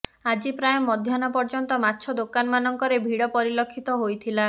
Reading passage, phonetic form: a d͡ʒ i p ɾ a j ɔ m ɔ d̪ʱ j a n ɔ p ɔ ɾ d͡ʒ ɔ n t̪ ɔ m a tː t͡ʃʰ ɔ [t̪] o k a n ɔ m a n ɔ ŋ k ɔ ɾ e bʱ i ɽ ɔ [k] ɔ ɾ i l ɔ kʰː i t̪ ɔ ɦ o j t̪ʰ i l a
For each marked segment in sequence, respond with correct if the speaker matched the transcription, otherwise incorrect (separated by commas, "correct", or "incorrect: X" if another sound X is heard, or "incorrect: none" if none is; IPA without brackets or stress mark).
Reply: incorrect: d̪, incorrect: p